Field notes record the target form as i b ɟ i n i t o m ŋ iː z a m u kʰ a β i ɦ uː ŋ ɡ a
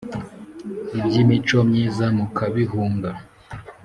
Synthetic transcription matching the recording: i b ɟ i m i t͡ʃ o m ɲ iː z a m u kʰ a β i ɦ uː ŋ ɡ a